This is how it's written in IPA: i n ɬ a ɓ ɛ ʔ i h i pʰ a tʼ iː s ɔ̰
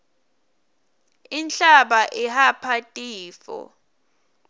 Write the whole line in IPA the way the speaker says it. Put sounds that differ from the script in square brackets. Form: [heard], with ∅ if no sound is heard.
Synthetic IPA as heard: i n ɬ a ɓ [a] ʔ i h [a] pʰ a tʼ iː [f] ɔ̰